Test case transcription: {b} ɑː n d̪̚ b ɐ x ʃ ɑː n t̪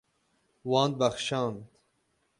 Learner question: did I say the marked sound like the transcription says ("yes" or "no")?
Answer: no